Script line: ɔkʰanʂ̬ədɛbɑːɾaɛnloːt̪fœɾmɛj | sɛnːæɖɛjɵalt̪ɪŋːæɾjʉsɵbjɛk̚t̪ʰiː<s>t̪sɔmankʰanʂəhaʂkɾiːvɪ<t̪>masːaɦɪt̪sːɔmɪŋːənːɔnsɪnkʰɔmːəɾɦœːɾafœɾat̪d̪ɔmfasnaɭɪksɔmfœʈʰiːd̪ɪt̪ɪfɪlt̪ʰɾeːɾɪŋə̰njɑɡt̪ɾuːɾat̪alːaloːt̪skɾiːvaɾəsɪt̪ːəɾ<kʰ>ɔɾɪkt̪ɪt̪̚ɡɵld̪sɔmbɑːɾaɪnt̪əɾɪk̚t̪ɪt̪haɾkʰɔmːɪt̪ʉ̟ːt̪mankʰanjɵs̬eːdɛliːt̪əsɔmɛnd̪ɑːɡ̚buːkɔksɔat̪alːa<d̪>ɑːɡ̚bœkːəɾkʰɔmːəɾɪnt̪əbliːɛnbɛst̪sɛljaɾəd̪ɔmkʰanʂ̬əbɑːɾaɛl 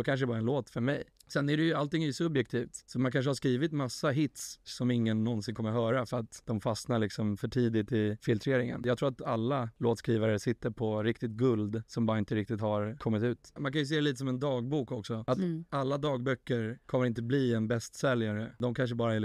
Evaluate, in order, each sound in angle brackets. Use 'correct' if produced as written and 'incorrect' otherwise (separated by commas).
incorrect, correct, incorrect, correct